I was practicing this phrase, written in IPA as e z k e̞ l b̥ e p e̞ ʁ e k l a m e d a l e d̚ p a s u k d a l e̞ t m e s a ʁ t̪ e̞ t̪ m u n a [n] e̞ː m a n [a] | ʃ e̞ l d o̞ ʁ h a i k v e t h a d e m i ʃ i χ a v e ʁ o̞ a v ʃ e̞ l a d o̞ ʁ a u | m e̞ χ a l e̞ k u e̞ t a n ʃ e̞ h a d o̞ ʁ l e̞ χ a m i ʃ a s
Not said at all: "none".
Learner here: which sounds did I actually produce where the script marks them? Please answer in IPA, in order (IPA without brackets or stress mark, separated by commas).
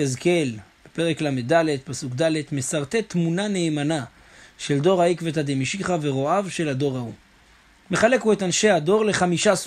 n, a